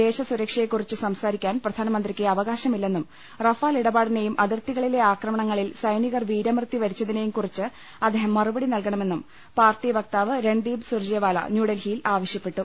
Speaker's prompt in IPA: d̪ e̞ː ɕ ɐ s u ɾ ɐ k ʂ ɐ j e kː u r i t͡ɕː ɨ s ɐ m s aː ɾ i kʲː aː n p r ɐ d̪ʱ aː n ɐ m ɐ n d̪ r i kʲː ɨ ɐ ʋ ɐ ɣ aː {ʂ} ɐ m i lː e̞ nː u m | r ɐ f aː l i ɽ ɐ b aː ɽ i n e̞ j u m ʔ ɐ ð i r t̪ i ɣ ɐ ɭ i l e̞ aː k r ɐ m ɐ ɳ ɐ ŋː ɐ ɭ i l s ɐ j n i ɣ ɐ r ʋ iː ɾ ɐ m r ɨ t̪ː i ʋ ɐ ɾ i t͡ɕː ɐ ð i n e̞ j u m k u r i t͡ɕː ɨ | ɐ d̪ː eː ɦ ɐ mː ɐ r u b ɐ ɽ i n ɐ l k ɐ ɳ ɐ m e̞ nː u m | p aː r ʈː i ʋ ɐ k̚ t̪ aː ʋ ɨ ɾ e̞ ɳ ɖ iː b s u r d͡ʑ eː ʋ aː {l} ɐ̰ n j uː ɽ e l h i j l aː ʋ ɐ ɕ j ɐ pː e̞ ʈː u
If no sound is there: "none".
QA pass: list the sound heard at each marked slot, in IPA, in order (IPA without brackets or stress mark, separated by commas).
ɕ, l